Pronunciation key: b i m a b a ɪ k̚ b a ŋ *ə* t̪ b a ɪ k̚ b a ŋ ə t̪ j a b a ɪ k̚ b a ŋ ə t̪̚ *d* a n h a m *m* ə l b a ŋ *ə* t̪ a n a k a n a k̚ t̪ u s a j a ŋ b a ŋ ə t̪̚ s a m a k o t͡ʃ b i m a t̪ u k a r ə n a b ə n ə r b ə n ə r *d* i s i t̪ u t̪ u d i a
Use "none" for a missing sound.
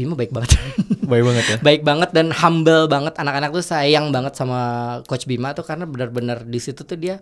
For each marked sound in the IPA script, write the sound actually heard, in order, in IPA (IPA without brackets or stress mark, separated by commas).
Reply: ə, d, b, ə, d